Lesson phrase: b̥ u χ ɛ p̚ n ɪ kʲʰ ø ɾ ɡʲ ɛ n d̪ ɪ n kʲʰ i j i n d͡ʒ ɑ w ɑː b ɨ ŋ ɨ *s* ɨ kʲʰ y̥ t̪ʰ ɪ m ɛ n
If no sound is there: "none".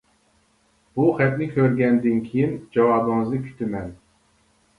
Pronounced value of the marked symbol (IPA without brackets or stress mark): z